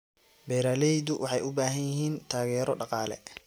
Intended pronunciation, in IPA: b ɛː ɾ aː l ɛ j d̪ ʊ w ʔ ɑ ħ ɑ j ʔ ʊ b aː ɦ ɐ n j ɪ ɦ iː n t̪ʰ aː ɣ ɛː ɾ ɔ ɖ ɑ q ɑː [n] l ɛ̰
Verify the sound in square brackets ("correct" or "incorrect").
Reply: incorrect